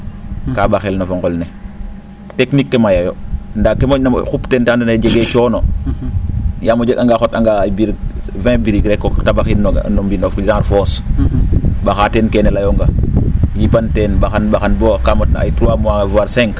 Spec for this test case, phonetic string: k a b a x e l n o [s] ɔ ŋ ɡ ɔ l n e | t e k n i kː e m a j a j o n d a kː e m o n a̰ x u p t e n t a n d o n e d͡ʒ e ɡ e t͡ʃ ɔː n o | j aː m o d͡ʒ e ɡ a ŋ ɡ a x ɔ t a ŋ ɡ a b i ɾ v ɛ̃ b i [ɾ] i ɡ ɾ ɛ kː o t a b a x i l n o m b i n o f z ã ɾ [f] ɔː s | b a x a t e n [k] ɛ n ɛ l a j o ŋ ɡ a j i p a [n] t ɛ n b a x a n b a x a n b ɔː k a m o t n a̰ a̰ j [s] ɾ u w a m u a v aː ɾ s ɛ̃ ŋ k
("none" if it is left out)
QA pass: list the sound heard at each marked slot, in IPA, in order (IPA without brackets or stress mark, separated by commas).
f, ɾ, f, k, n, t